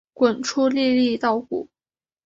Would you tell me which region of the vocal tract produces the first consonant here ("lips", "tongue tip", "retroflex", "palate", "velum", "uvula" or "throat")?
velum